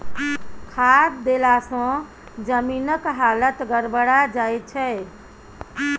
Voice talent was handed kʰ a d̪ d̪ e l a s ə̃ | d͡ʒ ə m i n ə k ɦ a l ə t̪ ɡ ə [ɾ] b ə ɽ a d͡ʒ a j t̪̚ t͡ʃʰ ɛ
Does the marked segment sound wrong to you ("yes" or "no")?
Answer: no